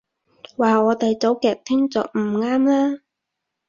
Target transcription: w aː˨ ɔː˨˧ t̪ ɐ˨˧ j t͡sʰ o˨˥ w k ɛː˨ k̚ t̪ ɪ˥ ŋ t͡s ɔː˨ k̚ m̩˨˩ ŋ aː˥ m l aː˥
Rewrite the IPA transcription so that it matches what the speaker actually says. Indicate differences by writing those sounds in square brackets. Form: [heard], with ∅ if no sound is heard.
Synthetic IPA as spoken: w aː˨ ɔː˨˧ t̪ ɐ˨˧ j [t͡s] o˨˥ w k ɛː˨ k̚ [t̪ʰ] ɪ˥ ŋ t͡s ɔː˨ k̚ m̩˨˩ ŋ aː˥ m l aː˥

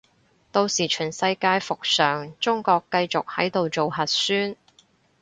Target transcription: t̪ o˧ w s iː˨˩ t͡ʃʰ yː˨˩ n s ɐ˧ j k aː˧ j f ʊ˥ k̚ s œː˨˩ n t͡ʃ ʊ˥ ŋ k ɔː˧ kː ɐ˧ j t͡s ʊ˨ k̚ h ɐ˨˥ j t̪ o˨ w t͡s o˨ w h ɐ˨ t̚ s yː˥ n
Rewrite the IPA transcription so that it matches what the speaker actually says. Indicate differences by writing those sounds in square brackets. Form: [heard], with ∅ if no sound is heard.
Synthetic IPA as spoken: t̪ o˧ w s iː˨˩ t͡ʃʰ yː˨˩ n s ɐ˧ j k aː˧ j f [ʊ˨] k̚ s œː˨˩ [ŋ] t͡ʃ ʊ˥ ŋ k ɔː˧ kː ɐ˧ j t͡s ʊ˨ k̚ h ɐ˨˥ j t̪ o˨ w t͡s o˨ w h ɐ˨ t̚ s yː˥ n

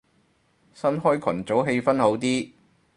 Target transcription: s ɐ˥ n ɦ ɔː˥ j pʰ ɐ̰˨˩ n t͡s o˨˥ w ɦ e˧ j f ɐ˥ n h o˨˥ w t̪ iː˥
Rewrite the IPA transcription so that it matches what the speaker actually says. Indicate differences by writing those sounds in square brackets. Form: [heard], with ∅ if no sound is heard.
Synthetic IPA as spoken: s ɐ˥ n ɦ ɔː˥ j [kʰ] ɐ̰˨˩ n t͡s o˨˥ w ɦ e˧ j f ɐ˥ n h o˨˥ w t̪ iː˥

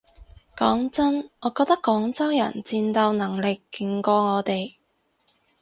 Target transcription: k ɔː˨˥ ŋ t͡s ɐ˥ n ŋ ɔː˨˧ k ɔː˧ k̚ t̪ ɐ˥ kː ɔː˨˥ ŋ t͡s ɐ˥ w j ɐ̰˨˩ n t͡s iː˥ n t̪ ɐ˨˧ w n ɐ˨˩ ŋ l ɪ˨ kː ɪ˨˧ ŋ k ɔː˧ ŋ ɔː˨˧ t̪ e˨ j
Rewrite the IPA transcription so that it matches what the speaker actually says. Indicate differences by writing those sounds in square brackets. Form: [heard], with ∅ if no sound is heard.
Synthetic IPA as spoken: k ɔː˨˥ ŋ t͡s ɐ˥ n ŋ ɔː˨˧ k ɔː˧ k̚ t̪ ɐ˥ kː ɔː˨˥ ŋ t͡s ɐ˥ w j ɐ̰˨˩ n t͡s [iː˧] n t̪ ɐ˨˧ w n ɐ˨˩ ŋ l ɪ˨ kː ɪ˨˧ ŋ k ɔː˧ ŋ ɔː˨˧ t̪ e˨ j

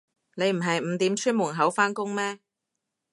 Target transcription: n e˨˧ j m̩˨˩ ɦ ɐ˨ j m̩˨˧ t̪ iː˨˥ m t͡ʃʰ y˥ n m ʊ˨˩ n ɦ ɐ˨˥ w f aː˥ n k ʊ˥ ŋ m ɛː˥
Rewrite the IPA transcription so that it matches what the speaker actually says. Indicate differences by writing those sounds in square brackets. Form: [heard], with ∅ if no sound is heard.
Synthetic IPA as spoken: n e˨˧ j m̩˨˩ ɦ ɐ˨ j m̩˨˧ t̪ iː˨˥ m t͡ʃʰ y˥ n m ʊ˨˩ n ɦ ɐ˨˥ w f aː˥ n k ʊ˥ ŋ m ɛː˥

